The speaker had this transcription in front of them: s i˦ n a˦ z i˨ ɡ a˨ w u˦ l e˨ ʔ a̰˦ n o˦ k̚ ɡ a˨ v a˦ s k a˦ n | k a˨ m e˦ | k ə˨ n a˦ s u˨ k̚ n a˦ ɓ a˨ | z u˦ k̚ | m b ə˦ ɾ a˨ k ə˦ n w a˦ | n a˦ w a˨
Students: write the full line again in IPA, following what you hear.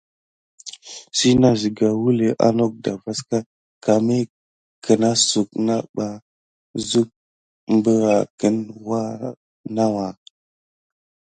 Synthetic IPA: s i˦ n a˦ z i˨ ɡ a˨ w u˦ l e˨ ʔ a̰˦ n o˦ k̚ d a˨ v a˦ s k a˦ | k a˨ m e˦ | k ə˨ n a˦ s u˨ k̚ n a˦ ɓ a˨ | z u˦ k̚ | m b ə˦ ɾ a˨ k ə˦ n w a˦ | n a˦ w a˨